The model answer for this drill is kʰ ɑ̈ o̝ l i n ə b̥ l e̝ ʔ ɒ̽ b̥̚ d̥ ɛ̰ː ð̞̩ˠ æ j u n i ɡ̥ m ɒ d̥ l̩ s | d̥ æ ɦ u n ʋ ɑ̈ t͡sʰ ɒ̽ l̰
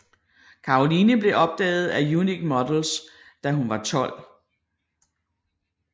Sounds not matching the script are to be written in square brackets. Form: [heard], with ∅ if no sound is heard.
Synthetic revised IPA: kʰ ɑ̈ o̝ l i n ə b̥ l e̝ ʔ ɒ̽ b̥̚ d̥ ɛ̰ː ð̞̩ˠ æ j u n i ɡ̥ m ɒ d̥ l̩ s | d̥ æ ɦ u n ʋ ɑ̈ t͡sʰ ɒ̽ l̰